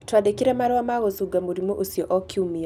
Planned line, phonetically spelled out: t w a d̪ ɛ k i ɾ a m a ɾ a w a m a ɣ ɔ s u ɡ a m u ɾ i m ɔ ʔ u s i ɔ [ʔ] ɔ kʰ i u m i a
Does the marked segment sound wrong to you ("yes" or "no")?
no